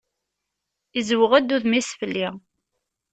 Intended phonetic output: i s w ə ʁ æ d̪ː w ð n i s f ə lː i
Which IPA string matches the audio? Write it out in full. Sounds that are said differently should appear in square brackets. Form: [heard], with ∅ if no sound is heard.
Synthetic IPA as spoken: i [z] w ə ʁ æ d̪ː [u] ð [m] i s f ə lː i